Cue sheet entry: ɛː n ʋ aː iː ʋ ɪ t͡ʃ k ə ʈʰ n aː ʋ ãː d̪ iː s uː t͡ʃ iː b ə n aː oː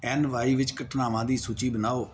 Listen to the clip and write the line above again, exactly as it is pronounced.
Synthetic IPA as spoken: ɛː n ʋ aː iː ʋ ɪ t͡ʃ k ə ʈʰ n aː ʋ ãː d̪ iː s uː t͡ʃ iː b ə n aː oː